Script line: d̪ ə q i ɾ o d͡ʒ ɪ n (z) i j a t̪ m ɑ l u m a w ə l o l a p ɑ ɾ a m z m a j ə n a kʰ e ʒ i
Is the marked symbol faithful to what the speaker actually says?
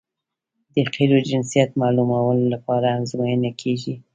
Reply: no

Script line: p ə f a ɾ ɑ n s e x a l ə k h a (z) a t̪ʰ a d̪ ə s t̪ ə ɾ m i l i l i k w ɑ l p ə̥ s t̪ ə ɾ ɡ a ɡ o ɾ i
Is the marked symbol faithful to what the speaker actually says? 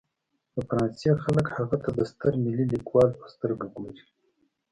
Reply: no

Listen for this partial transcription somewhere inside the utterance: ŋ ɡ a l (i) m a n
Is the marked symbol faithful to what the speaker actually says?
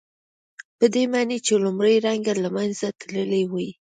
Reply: no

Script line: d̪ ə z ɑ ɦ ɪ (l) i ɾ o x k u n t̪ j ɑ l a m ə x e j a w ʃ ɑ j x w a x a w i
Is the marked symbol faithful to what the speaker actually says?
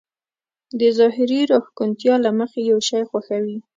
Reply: no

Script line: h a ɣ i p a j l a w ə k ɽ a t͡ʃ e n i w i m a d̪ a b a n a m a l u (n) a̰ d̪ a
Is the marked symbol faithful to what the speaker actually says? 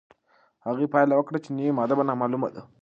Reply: no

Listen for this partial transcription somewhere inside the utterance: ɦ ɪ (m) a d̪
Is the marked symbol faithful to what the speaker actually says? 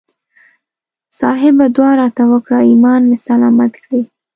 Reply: no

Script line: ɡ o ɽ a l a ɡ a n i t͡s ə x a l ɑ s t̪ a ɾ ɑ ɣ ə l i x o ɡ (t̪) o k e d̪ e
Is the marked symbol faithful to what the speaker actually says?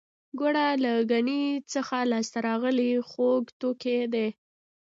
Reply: yes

